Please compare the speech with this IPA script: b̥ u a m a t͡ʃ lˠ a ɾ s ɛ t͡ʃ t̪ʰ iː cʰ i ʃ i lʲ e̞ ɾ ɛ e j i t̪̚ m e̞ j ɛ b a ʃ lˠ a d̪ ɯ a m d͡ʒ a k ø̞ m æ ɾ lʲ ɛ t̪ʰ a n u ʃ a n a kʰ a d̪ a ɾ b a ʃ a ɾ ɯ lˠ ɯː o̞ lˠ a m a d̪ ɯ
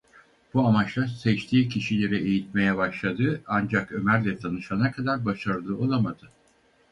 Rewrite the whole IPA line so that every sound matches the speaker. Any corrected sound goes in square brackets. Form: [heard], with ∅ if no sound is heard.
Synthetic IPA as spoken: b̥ u a m a t͡ʃ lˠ a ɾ s ɛ t͡ʃ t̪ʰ iː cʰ i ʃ i lʲ e̞ ɾ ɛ e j i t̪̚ m e̞ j ɛ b a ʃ lˠ a d̪ ɯ a [n] d͡ʒ a k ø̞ m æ ɾ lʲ ɛ t̪ʰ a n [ɯ] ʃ a n a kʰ a d̪ a ɾ b a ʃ a ɾ ɯ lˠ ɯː o̞ lˠ a m a d̪ ɯ